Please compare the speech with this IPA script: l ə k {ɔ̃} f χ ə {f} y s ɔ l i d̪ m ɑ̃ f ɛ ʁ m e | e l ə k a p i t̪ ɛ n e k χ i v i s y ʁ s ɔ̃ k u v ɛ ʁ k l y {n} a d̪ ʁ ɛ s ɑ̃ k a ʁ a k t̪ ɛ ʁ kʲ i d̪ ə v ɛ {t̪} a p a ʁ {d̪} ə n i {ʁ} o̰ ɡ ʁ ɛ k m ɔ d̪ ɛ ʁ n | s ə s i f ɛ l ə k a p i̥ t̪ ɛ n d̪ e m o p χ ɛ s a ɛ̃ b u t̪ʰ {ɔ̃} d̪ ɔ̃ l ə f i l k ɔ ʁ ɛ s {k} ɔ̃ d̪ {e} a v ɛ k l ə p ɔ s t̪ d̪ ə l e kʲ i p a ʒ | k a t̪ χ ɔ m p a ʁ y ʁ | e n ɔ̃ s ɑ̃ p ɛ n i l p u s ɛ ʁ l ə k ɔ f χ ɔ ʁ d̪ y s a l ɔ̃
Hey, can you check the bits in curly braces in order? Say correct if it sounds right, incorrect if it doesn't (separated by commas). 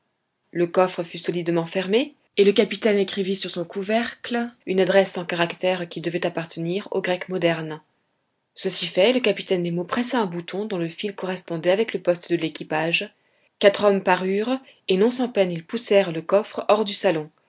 incorrect, correct, correct, correct, incorrect, correct, correct, incorrect, incorrect